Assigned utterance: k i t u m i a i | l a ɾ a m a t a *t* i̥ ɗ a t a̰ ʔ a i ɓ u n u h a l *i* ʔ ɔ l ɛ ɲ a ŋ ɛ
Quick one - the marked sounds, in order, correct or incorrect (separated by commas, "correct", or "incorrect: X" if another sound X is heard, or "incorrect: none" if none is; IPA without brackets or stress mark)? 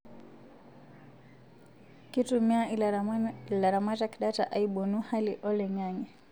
incorrect: k, correct